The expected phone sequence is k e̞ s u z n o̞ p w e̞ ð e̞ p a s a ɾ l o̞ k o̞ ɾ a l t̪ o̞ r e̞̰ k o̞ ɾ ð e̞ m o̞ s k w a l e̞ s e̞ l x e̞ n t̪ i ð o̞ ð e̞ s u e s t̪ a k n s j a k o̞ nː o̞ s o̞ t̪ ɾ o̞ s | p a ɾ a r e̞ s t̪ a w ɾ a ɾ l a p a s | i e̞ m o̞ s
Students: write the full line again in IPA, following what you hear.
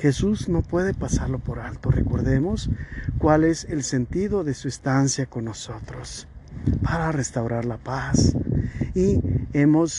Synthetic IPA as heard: x e̞ s u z n o̞ p w e̞ ð e̞ p a s a ɾ l o̞ p o̞ ɾ a l t̪ o̞ r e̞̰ k o̞ ɾ ð e̞ m o̞ s k w a l e̞ s e̞ l s e̞ n t̪ i ð o̞ ð e̞ s u e s t̪ a n s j a k o̞ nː o̞ s o̞ t̪ ɾ o̞ s | p a ɾ a r e̞ s t̪ a w ɾ a ɾ l a p a s | i e̞ m o̞ s